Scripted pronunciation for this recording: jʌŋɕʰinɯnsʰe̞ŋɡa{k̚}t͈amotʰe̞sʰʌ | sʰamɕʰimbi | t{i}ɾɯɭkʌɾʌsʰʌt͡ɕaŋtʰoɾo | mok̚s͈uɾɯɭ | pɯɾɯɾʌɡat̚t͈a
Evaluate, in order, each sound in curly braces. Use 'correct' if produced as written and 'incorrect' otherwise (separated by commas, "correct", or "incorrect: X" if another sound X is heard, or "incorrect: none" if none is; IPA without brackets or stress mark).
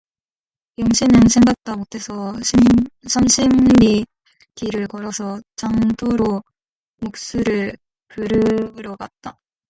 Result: correct, correct